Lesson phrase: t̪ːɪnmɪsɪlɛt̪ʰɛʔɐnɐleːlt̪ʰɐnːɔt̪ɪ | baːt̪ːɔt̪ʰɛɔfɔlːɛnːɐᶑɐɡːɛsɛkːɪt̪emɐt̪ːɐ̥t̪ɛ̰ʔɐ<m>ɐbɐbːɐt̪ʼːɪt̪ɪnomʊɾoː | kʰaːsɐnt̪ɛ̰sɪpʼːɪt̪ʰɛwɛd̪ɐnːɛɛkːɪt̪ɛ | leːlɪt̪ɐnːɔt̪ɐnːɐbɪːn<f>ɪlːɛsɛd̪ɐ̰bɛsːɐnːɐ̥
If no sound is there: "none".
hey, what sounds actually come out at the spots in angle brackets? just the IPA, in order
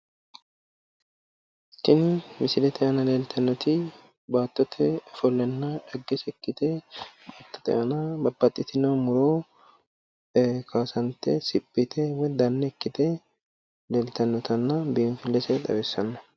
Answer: n, f

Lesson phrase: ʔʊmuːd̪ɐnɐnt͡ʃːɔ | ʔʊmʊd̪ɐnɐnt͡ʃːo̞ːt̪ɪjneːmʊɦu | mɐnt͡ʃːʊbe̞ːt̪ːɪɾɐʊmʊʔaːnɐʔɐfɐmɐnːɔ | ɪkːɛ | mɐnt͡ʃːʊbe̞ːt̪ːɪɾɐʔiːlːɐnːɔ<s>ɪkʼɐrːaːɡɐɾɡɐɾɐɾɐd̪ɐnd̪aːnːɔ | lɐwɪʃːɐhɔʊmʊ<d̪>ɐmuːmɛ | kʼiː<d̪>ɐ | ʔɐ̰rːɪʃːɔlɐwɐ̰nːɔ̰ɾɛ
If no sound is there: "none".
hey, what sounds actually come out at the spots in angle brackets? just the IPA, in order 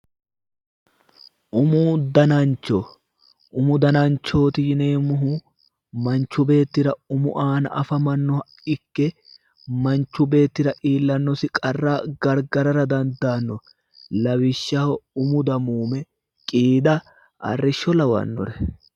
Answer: s, d̪, d̪

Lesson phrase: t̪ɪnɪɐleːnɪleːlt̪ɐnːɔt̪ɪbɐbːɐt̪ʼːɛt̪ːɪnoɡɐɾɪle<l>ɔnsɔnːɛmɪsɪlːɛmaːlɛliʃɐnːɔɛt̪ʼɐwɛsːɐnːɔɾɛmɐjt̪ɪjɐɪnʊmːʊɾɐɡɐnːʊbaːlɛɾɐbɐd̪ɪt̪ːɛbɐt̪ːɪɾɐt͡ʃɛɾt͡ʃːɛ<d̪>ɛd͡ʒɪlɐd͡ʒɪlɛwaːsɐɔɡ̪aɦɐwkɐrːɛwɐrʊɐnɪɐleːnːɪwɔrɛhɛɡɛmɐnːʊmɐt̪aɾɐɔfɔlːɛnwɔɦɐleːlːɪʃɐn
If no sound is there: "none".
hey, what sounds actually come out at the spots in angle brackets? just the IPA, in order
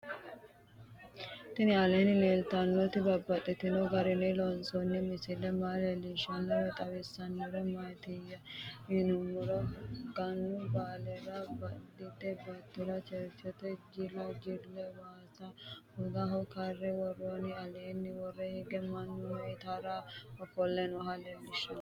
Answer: l, t̪

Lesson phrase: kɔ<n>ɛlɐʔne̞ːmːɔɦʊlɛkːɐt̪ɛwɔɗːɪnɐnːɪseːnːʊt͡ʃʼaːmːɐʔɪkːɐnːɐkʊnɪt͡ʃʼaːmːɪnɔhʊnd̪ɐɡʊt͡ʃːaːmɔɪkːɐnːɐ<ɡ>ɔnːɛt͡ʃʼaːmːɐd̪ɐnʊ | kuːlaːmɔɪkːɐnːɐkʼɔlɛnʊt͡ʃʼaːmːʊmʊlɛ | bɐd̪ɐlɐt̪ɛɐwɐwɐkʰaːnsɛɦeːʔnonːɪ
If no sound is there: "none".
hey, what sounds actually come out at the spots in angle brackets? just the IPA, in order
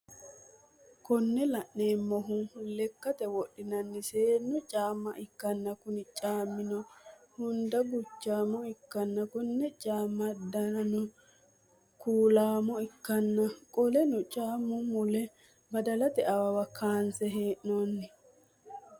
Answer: nː, k

